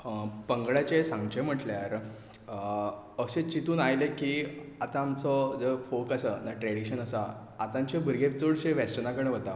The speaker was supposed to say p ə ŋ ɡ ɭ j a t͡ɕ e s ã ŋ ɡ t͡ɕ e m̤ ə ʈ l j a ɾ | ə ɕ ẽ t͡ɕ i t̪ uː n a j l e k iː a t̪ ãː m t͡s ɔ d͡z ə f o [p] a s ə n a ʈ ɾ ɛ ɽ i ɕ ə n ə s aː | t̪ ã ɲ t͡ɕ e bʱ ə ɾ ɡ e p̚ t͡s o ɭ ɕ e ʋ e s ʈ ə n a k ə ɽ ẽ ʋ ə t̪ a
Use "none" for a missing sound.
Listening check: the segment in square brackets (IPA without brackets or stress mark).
k